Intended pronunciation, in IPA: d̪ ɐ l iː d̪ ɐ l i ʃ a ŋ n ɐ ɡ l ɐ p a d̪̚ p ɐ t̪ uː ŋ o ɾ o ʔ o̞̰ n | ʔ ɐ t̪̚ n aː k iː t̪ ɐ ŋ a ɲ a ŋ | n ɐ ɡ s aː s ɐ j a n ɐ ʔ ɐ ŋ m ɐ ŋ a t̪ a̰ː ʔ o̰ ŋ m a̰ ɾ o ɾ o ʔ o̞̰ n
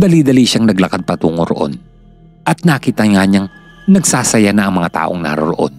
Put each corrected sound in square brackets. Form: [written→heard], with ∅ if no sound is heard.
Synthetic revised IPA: d̪ ɐ l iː d̪ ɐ l i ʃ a ŋ n ɐ ɡ l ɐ [p→k] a d̪̚ p ɐ t̪ uː ŋ o ɾ o ʔ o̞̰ n | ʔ ɐ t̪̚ n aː k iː t̪ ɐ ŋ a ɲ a ŋ | n ɐ ɡ s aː s ɐ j a n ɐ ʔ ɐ ŋ m ɐ ŋ a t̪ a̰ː ʔ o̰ ŋ [m→n] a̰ ɾ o ɾ o ʔ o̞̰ n

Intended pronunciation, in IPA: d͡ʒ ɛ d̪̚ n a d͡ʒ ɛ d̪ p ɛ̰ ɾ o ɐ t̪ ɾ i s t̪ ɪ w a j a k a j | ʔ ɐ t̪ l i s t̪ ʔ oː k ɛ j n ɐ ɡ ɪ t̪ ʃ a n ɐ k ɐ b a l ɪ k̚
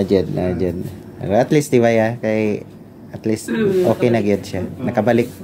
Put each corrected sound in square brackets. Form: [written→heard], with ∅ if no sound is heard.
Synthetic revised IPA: d͡ʒ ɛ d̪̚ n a d͡ʒ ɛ d̪ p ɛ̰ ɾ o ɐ t̪ [ɾ→l] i s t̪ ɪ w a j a k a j | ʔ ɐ t̪ l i s t̪ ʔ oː k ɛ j n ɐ ɡ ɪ [t̪→d̪] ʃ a n ɐ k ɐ b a l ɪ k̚

